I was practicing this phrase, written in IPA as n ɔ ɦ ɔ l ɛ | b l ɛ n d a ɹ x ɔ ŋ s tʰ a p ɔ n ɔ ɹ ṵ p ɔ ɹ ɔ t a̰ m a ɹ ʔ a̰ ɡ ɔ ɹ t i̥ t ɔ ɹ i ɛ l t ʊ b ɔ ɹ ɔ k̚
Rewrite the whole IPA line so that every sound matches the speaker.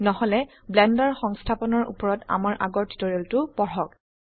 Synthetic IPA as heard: n ɔ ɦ ɔ l ɛ | b l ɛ n d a ɹ x ɔ ŋ s tʰ a p ɔ n ɔ ɹ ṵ p ɔ ɹ ɔ t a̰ m a ɹ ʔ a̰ ɡ ɔ ɹ t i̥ t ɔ ɹ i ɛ l t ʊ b ɔ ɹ ɔ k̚